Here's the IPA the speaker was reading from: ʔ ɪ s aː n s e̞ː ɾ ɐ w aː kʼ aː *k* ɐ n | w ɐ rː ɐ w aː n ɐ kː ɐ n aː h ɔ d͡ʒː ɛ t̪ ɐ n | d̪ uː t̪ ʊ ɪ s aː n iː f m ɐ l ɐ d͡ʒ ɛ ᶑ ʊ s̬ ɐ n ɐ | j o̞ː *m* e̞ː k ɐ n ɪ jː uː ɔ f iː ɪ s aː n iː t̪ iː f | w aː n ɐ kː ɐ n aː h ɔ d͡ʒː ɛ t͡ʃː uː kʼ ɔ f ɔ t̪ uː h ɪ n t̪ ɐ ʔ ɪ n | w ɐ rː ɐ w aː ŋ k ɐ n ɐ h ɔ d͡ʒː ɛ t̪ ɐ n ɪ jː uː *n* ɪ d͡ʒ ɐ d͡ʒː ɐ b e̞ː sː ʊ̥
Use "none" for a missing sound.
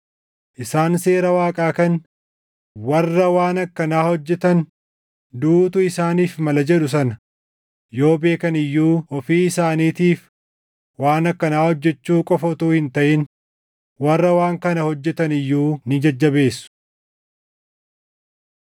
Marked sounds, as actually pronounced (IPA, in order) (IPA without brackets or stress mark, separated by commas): k, b, n